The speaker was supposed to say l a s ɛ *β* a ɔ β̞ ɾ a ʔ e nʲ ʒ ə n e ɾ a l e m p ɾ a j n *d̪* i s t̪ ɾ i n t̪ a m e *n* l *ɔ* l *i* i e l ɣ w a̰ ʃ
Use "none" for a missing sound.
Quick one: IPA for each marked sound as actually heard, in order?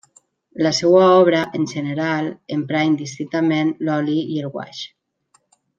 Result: w, d̪, n, ɔ, i

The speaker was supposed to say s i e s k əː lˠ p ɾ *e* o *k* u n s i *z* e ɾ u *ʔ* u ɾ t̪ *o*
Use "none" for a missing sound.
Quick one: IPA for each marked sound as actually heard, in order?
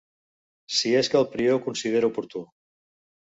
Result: i, k, ð, p, u

